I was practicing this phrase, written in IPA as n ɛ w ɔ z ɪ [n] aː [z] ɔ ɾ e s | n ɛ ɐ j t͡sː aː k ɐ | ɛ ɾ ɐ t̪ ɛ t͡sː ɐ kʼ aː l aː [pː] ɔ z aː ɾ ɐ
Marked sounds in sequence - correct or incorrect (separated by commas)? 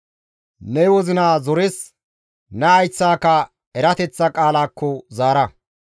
correct, correct, incorrect